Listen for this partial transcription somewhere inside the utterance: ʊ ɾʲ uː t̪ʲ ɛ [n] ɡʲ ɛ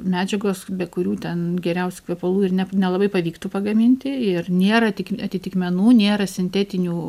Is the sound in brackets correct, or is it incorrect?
correct